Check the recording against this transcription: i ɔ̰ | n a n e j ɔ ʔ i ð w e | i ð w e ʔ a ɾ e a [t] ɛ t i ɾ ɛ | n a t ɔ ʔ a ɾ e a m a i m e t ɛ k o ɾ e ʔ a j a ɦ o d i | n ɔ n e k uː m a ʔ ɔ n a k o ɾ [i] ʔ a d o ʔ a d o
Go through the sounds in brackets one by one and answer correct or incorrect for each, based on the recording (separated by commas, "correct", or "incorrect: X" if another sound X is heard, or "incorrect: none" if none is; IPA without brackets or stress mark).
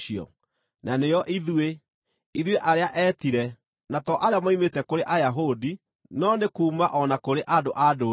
incorrect: ʔ, incorrect: e